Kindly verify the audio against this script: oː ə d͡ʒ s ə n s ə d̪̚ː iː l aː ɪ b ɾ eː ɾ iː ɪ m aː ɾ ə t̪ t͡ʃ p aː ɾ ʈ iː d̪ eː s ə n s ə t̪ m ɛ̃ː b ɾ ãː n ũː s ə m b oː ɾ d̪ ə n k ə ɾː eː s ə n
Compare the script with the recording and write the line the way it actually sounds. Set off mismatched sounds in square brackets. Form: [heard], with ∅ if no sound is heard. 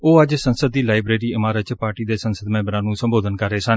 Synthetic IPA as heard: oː ə d͡ʒ s ə n s ə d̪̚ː iː l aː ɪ b ɾ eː ɾ iː ɪ m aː ɾ ə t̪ t͡ʃ p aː ɾ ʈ iː d̪ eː s ə n s ə [d̪] m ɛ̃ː b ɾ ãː n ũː s ə m b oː [∅] d̪ ə n k ə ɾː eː s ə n